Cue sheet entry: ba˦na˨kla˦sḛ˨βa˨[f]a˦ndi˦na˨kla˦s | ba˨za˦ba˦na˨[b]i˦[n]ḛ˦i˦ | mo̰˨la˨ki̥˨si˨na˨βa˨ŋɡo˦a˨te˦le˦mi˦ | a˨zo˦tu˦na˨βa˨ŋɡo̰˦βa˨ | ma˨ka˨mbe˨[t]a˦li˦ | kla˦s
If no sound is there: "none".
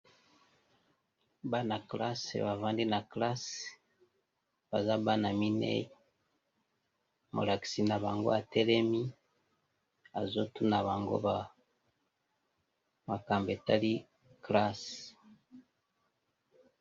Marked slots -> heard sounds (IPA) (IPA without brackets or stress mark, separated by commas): v, m, n, t